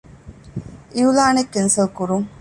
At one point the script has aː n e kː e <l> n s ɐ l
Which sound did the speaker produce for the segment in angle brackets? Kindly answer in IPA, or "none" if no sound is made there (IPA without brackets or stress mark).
none